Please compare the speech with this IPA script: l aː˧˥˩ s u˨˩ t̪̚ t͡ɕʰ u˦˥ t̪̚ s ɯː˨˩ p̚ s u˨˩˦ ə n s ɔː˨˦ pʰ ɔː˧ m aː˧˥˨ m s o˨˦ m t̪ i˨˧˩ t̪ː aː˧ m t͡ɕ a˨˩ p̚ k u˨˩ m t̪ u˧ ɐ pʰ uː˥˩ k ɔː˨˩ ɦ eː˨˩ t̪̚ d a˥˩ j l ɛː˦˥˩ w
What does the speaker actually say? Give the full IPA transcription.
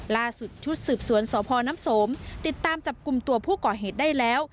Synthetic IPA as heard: l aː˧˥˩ s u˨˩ t̪̚ t͡ɕʰ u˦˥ t̪̚ s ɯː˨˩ p̚ s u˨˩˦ ə n s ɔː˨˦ pʰ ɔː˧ n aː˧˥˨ m s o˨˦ m t̪ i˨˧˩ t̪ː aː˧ m t͡ɕ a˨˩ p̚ k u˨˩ m t̪ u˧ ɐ pʰ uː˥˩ k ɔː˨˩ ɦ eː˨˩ t̪̚ d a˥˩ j l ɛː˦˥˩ w

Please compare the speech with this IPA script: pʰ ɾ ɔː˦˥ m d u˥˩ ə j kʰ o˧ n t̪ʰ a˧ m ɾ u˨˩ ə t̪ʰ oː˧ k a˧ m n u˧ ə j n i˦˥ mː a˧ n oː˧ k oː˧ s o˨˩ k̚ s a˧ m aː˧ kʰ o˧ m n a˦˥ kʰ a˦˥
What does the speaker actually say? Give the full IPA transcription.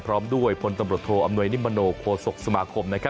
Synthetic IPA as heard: pʰ ɾ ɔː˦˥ m d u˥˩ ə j pʰ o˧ n t̪ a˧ m ɾ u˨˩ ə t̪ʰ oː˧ ʔ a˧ m n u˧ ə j n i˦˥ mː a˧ n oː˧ kʰ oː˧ s o˨˩ k̚ s a˧ m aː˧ kʰ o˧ m n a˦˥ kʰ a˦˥

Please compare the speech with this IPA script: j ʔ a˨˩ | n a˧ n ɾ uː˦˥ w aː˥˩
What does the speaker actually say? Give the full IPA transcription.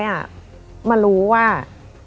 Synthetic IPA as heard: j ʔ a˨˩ | m a˧ n ɾ uː˦˥ w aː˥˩

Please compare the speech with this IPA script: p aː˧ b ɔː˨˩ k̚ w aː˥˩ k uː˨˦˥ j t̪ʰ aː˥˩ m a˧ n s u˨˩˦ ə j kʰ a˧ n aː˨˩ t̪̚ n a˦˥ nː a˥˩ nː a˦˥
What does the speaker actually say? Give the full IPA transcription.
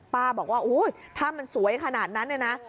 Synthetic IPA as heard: p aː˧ b ɔː˨˩ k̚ w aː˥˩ ʔ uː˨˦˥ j t̪ʰ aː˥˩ m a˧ n s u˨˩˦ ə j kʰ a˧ n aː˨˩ t̪̚ n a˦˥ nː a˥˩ n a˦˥

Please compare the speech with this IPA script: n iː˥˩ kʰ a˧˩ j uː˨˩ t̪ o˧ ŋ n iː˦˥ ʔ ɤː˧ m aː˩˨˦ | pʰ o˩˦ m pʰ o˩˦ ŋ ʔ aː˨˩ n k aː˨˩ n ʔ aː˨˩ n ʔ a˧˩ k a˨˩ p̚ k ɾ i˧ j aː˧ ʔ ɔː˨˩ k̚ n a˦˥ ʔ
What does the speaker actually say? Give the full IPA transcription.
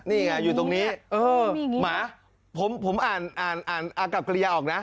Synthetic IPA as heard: n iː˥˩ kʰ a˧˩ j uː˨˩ t̪ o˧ ŋ n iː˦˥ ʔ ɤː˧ m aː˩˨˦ | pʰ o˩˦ m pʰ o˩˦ m ʔ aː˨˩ n ʔ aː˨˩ n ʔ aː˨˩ n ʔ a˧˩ k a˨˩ p̚ k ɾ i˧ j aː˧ ʔ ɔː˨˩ k̚ n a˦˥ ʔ

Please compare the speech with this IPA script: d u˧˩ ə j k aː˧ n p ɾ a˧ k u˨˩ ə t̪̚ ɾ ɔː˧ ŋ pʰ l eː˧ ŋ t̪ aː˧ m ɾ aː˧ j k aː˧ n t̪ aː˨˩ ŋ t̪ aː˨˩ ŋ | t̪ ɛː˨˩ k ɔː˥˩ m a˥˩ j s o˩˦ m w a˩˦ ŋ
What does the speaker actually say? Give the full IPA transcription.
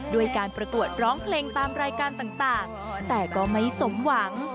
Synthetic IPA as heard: d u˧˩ ə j k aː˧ n p ɾ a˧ k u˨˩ ə t̪̚ ɾ ɔː˦˥ ŋ pʰ l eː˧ ŋ t̪ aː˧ m ɾ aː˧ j k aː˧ n t̪ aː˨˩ ŋ t̪ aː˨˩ ŋ | t̪ ɛː˨˩ k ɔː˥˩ m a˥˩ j s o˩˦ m w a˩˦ ŋ

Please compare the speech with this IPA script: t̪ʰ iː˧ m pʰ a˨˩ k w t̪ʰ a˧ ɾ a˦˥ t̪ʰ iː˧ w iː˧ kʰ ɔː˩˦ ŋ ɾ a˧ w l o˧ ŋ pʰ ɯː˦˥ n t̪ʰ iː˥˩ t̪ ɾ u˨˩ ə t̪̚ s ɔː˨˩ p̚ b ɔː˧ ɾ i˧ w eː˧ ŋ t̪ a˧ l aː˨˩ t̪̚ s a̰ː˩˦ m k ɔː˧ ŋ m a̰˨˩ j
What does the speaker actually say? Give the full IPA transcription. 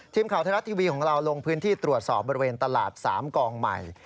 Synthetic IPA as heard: t̪ʰ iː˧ m kʰ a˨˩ w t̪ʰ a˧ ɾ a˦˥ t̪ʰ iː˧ w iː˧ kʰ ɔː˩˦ ŋ ɾ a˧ w l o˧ ŋ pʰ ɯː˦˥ n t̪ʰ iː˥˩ t̪ ɾ u˨˩ ə t̪̚ s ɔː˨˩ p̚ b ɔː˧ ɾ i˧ w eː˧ n t̪ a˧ l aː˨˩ t̪̚ s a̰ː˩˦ m k ɔː˧ ŋ m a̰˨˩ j

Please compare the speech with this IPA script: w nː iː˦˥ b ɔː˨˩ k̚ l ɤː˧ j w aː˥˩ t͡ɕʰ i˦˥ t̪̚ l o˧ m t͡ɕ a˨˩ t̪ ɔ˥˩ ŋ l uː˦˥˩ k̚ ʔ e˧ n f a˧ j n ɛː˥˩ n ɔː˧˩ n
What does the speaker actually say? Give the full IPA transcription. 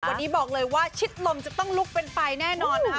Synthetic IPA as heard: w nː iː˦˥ b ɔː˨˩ k̚ l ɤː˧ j w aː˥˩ t͡ɕʰ i˦˥ t̪̚ l o˧ m t͡ɕ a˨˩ t̪ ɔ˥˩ ŋ l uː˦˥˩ k̚ p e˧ n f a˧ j n ɛː˥˩ n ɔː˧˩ n

